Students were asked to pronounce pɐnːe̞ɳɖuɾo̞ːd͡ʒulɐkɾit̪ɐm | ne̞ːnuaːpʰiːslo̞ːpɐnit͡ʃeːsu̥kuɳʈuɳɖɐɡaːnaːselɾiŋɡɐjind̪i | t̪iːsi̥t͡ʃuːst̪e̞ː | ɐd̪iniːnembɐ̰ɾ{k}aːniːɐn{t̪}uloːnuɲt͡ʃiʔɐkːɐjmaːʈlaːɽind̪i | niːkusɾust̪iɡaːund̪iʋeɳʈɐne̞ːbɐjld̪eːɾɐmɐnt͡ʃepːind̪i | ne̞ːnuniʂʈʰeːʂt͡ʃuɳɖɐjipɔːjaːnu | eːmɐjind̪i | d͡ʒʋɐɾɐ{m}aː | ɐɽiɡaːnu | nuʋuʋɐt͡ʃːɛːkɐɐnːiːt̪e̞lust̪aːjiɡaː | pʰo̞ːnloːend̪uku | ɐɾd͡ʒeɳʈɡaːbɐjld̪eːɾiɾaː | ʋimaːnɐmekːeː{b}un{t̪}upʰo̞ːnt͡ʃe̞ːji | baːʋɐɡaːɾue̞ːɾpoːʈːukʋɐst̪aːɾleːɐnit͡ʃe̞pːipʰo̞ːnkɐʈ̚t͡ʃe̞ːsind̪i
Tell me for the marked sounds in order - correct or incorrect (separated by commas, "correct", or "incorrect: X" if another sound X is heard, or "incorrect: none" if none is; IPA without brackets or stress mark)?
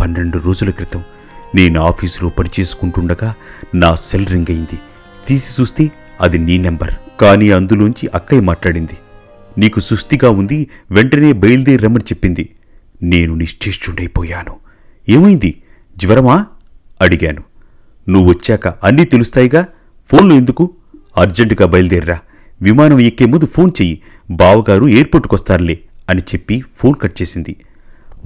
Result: correct, incorrect: d̪, correct, incorrect: m, incorrect: d̪